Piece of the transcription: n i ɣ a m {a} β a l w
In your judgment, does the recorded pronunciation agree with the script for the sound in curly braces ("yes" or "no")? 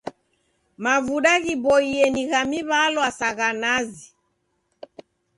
no